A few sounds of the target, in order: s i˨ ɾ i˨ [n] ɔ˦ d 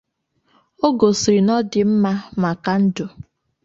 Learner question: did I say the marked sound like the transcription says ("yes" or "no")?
yes